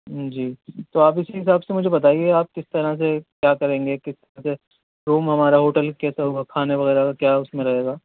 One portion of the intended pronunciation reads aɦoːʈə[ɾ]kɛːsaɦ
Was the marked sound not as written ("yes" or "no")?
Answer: yes